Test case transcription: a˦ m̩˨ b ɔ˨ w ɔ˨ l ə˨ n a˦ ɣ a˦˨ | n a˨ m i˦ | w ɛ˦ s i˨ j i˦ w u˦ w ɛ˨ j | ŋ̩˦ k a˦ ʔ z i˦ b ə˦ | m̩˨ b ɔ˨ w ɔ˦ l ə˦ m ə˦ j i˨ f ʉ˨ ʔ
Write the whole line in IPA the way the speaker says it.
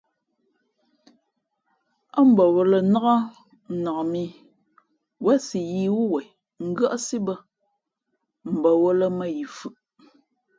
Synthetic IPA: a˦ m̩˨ b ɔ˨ w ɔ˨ l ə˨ n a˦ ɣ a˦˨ | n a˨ m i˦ | w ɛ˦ s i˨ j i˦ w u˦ w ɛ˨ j | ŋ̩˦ ɡ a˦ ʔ s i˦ b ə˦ | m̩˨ b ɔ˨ w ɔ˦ l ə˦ m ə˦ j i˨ f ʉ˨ ʔ